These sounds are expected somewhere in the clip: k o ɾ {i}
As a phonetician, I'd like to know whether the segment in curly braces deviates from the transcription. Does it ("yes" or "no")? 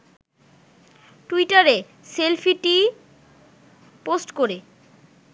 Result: yes